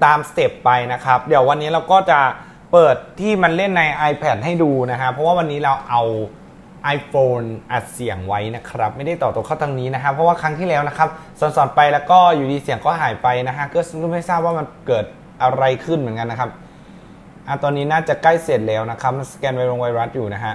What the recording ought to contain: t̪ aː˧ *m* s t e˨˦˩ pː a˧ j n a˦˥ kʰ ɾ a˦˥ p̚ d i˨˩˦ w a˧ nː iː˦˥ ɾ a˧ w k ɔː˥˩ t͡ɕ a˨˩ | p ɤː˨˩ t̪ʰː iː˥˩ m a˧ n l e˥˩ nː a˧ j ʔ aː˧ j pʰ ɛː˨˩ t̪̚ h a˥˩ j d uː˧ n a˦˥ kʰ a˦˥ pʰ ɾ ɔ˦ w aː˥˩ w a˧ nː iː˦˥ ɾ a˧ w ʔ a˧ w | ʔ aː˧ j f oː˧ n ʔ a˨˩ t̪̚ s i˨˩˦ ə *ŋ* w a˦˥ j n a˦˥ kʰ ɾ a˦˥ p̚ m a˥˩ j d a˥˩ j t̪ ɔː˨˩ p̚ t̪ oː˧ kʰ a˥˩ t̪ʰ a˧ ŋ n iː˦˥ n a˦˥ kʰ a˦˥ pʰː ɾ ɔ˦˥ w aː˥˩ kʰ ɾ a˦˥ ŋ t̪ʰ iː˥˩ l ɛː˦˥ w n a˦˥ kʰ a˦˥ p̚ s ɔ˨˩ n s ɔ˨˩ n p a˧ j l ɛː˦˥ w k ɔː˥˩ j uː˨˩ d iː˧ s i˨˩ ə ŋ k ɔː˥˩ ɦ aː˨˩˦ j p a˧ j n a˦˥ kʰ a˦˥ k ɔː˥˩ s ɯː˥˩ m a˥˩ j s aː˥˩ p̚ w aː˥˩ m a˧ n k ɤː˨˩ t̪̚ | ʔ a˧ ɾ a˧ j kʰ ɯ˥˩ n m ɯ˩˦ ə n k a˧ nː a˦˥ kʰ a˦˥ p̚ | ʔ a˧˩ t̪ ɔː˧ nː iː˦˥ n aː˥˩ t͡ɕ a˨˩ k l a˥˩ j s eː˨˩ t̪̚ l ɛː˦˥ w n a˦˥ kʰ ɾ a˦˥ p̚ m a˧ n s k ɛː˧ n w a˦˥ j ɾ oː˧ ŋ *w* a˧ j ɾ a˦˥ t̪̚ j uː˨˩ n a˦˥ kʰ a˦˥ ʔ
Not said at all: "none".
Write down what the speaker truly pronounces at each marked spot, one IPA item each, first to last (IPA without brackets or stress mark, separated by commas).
m, ŋ, w